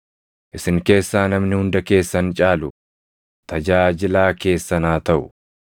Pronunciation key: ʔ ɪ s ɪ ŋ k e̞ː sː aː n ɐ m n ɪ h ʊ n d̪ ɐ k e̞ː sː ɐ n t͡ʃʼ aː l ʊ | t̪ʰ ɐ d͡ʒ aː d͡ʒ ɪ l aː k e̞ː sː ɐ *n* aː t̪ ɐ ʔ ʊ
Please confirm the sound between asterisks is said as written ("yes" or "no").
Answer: yes